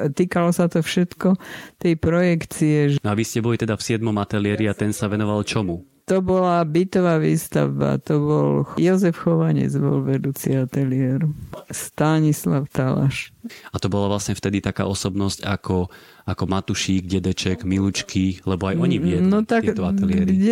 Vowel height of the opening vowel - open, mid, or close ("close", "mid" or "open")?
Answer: close